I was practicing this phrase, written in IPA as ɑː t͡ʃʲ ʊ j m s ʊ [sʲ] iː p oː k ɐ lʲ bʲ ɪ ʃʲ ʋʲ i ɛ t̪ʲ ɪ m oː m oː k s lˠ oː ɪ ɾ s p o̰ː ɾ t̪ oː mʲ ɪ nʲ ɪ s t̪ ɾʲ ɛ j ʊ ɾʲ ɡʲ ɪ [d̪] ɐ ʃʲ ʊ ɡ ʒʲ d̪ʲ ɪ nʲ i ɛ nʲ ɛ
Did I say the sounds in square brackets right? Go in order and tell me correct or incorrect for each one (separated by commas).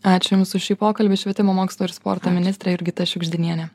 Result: incorrect, incorrect